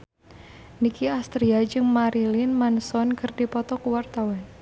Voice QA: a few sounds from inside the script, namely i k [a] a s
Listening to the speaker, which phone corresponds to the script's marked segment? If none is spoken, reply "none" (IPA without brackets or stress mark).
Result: i